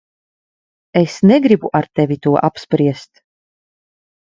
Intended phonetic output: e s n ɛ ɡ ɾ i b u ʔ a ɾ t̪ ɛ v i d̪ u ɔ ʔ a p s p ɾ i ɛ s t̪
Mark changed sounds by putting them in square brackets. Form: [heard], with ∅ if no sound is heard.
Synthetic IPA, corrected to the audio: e s n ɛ ɡ ɾ i b u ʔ a ɾ t̪ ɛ v i [t̪] u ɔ ʔ a p s p ɾ i ɛ s t̪